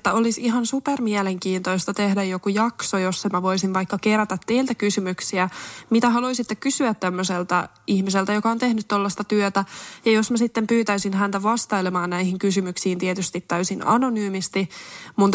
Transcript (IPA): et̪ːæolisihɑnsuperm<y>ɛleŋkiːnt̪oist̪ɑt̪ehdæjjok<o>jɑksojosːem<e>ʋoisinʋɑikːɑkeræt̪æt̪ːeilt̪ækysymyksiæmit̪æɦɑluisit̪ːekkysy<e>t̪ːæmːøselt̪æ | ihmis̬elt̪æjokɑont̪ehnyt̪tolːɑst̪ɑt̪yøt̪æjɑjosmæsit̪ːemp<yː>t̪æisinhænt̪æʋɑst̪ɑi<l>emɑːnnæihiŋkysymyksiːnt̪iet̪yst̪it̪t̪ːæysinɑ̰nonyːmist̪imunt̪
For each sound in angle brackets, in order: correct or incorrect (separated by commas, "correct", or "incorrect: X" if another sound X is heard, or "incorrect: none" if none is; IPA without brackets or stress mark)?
incorrect: i, incorrect: u, incorrect: æ, incorrect: æ, correct, correct